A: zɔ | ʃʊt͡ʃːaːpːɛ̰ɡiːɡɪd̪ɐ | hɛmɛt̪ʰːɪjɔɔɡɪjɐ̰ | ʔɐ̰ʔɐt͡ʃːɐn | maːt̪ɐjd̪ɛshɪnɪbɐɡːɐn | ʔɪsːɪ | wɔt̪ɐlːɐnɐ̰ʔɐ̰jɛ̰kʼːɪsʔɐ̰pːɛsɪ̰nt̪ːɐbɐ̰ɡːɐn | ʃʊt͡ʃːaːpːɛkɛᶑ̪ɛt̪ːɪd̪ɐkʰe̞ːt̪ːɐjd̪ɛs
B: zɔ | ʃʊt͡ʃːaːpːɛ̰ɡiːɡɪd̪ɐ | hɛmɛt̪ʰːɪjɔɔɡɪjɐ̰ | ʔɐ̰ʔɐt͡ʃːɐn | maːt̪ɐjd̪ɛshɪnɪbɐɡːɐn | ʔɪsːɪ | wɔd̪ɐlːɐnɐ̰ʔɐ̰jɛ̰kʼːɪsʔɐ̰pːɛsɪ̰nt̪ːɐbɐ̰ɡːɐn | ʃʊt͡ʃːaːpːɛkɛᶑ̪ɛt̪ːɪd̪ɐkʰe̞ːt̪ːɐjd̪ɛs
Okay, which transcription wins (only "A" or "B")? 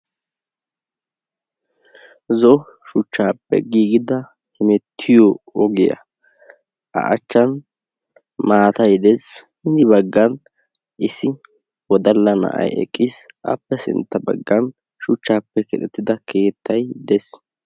B